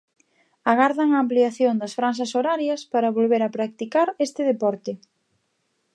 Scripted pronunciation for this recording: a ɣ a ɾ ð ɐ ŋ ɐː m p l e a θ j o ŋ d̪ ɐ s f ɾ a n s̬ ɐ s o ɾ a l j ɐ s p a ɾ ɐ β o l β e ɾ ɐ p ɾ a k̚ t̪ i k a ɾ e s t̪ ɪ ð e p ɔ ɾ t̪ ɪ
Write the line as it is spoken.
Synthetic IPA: a ɣ a ɾ ð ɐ ŋ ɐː m p l i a θ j o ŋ d̪ ɐ s f ɾ a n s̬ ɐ s o ɾ a ɾ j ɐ s p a ɾ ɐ β o l β e ɾ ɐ p ɾ a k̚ t̪ i k a ɾ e s t̪ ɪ ð e p ɔ ɾ t̪ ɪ

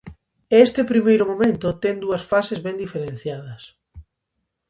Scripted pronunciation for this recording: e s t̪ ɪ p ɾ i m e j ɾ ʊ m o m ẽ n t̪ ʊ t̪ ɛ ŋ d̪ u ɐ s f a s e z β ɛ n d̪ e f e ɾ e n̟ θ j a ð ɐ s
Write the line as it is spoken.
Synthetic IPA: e s t̪ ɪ p ɾ i m e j ɾ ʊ m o m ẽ n t̪ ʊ t̪ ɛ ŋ d̪ u ɐ s f a s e z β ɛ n d̪ i f e ɾ e n̟ θ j a ð ɐ s

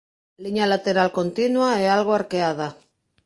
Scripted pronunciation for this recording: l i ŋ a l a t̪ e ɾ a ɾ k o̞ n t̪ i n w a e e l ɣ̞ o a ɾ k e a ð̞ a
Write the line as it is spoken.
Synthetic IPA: l i ɲ a l a t̪ e ɾ a l k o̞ n t̪ i n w a e a l ɣ̞ o a ɾ k e a ð̞ a

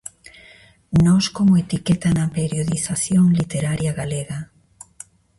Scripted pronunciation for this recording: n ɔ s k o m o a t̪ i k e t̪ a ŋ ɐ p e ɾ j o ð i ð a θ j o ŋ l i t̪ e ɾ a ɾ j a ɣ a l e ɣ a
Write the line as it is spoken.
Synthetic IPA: n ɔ s k o m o e t̪ i k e t̪ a n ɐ p e ɾ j o ð i θ a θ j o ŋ l i t̪ e ɾ a ɾ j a ɣ a l e ɣ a

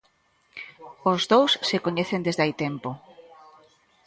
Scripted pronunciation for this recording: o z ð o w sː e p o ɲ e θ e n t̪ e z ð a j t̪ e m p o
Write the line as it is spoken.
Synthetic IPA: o z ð o w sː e k o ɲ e θ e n d̪ e z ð a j t̪ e m p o

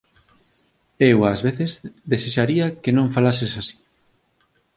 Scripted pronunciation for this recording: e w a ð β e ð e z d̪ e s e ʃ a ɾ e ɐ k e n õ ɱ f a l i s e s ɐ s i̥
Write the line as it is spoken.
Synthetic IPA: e w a z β e θ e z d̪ e s e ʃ a ɾ i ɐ k e n õ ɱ f a l a s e s a s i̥

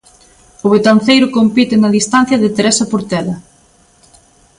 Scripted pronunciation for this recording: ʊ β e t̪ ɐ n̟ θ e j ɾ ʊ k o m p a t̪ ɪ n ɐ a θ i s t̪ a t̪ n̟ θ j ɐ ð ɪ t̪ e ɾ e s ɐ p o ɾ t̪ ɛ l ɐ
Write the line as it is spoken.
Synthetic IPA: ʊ β e t̪ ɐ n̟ θ e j ɾ ʊ k o m p i t̪ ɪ n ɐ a ð i s t̪ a n̟ θ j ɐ ð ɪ t̪ e ɾ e s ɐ p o ɾ t̪ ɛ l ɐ

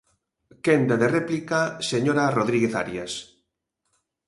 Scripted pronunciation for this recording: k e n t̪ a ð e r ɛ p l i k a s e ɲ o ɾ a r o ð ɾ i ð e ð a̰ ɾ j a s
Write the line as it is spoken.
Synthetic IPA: k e n d̪ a ð e r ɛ p l i k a s e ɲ o ɾ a r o ð ɾ i ɣ e θ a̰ ɾ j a s

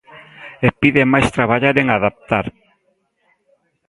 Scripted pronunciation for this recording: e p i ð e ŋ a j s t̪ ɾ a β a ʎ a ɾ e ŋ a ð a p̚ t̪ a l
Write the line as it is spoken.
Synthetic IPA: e p i ð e m a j s t̪ ɾ a β a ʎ a ɾ e ŋ a ð a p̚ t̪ a ɾ

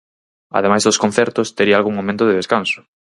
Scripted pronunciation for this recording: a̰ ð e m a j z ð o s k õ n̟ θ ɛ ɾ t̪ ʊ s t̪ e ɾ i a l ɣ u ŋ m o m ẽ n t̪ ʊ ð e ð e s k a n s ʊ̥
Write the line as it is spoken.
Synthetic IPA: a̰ ð e m a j z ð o s k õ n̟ θ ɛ ɾ t̪ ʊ s t̪ e ɾ i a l ɣ u ŋ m o m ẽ n t̪ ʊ ð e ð e s k a n s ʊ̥

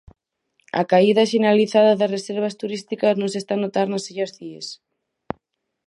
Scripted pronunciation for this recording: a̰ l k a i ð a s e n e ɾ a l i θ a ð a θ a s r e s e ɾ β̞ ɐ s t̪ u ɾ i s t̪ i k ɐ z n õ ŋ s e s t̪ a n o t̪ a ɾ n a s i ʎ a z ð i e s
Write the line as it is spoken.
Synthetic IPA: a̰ k a i ð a ʃ e n e ɾ a l i θ a ð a ð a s r e s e ɾ β̞ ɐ s t̪ u ɾ i s t̪ i k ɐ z n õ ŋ s e s t̪ a n o t̪ a ɾ n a s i ʎ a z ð i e s

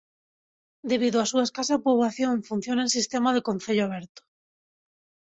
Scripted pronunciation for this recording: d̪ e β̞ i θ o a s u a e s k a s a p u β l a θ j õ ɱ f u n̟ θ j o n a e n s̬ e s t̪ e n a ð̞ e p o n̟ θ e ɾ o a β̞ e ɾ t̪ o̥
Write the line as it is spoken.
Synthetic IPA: d̪ e β̞ i ð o a s u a e s k a s a p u β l a θ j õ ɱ f u n̟ θ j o n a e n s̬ i s t̪ e m a ð̞ e k o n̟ θ e ʎ o a β̞ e ɾ t̪ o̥

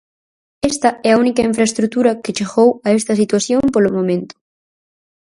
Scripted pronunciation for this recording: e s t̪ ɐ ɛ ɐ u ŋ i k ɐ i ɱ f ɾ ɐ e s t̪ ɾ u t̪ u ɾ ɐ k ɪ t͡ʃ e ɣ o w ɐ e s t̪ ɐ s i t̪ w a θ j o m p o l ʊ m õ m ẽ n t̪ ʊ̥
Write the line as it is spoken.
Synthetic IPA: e s t̪ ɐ ɛ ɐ u n i k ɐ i ɱ f ɾ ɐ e s t̪ ɾ u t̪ u ɾ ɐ k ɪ t͡ʃ e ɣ o w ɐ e s t̪ ɐ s i t̪ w a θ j o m p o l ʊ m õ m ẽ n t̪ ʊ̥

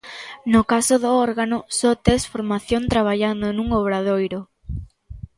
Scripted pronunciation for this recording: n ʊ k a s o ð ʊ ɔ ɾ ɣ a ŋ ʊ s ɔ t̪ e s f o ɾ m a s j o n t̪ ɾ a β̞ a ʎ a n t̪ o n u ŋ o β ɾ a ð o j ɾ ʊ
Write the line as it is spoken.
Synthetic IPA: n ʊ k a s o ð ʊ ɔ ɾ ɣ a n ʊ s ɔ t̪ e s f o ɾ m a θ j o n t̪ ɾ a β̞ a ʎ a n d̪ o n u ŋ o β ɾ a ð o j ɾ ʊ

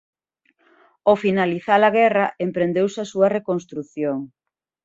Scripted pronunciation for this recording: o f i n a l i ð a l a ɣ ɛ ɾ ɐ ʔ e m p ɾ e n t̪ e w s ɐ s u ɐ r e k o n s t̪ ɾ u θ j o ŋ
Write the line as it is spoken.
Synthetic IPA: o f i n a l i θ a l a ɣ ɛ r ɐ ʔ e m p ɾ e n d̪ e w s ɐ s u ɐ r e k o n s t̪ ɾ u θ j o ŋ

